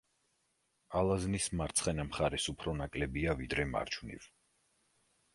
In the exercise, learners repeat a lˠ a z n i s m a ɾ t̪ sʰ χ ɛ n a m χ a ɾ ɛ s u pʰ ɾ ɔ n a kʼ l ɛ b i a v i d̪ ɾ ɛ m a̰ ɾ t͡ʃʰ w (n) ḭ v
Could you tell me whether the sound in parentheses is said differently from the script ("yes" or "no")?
no